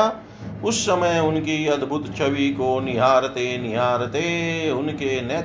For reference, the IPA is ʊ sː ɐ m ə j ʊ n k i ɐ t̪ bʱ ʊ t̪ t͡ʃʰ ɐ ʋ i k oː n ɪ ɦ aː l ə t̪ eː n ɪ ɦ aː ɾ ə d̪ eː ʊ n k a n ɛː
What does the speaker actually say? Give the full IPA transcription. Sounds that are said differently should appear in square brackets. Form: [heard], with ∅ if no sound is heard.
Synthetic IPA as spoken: ʊ sː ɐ m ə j ʊ n k i ɐ [d̪] bʱ ʊ t̪ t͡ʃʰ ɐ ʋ i k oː n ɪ ɦ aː [ɾ] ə t̪ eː n ɪ ɦ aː ɾ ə [t̪] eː ʊ n k [e] n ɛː